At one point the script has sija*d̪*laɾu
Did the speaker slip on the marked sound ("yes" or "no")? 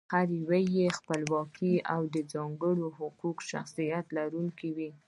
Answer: yes